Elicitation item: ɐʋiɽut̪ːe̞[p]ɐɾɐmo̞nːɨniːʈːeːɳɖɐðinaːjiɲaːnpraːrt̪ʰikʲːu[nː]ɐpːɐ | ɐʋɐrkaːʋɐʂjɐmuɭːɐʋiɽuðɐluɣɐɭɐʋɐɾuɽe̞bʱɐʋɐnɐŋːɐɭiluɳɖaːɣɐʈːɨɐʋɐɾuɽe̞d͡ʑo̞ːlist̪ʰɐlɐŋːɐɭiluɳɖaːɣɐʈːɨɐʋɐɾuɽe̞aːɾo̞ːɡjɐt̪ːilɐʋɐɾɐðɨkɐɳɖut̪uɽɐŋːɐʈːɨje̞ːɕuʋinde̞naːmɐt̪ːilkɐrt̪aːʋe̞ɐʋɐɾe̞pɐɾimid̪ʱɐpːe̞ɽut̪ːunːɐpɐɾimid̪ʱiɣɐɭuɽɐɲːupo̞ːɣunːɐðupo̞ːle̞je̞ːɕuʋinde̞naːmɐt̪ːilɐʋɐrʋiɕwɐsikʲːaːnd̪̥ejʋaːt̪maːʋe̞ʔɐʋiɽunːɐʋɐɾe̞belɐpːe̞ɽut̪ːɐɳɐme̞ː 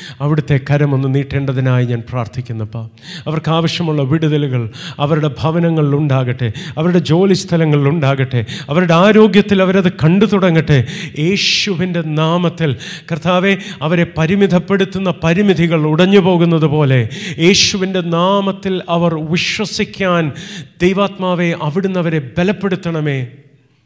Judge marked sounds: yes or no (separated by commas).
no, yes